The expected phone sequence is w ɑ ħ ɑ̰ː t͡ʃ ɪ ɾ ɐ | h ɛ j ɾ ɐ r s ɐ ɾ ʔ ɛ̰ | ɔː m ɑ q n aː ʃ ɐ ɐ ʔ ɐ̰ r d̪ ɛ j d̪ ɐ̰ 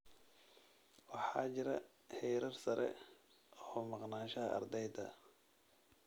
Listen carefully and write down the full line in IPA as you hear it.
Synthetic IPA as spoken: w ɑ ħ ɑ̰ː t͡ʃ ɪ ɾ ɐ | h ɛ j ɾ ɐ r s ɐ ɾ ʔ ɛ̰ | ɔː m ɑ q n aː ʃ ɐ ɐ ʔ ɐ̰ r d̪ ɛ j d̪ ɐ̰